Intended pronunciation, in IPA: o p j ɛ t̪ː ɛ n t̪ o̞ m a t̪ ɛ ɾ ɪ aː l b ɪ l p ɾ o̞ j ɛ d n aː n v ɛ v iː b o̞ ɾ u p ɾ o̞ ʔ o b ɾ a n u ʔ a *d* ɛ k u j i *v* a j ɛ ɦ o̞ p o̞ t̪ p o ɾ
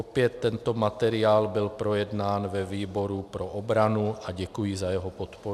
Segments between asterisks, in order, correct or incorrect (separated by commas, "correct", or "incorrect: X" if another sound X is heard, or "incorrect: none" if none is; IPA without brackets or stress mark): incorrect: ɟ, incorrect: z